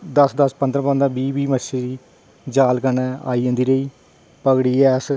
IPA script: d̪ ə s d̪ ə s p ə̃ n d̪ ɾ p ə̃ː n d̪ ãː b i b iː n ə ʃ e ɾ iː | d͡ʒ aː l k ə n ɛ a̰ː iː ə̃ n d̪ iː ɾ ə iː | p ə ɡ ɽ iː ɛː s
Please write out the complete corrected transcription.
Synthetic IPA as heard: d̪ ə s d̪ ə s p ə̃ n d̪ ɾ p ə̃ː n d̪ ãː b iː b iː m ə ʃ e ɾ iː | d͡ʒ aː l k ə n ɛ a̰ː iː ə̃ n d̪ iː ɾ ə iː | p ə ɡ ɽ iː ɛː s